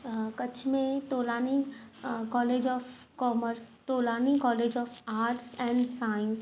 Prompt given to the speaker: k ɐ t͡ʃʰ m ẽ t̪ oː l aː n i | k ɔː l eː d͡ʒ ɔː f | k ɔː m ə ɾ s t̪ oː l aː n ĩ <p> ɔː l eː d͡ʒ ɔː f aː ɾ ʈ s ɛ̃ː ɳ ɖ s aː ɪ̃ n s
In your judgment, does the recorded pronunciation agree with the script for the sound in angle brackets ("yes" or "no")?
no